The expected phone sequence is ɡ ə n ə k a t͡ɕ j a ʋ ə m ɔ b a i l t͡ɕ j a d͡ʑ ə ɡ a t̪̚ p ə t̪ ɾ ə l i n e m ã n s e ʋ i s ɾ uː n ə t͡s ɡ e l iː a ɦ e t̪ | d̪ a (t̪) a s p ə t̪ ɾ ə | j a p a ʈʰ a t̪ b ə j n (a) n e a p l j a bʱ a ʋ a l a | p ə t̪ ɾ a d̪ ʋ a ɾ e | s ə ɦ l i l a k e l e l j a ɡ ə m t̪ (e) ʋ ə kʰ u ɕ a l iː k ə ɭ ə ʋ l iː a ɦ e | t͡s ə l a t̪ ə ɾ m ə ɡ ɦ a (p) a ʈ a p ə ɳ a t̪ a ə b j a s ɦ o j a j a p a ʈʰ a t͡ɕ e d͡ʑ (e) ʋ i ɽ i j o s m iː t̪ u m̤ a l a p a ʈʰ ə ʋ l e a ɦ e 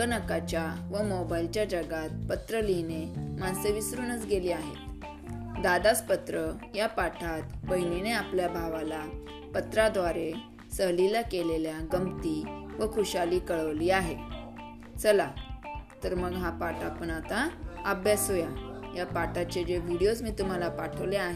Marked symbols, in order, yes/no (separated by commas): no, no, no, yes, yes